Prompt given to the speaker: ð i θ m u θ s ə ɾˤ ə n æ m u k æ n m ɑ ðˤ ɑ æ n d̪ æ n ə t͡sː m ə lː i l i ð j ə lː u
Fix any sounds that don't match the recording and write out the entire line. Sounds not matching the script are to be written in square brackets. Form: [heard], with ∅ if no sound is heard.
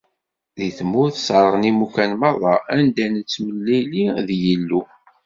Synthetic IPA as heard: ð i θ m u θ s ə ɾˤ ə n [i] m u k æ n m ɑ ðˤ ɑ æ n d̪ æ n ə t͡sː m ə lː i l i ð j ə lː u